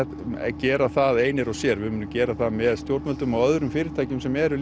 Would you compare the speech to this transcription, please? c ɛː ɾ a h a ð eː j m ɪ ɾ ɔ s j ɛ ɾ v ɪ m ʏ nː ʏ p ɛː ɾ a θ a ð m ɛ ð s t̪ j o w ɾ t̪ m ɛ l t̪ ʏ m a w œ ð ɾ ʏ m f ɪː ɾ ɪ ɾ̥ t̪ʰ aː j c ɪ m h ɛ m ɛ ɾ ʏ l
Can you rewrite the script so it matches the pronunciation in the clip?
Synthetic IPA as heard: c ɛː ɾ a θ a ð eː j n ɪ ɾ ɔ s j ɛ ɾ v ɪ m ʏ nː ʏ c ɛː ɾ a θ a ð m ɛ ð s t̪ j o w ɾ t̪ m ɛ l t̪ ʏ m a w œ ð ɾ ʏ m f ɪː ɾ ɪ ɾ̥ t̪ʰ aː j c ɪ m s ɛ m ɛ ɾ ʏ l